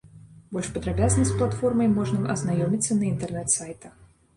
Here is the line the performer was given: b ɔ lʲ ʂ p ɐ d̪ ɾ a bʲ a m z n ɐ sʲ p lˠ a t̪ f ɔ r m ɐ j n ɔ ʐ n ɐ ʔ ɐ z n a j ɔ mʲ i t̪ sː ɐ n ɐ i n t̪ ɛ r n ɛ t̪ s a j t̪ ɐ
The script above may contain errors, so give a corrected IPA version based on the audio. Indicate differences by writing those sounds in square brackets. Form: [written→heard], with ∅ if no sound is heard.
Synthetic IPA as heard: b ɔ lʲ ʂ p ɐ d̪ ɾ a bʲ a [m→∅] z n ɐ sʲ p lˠ a t̪ f ɔ r m ɐ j [n→m] ɔ ʐ n ɐ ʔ ɐ z n a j ɔ mʲ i t̪ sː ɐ n ɐ i n t̪ ɛ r n ɛ t̪ s a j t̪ ɐ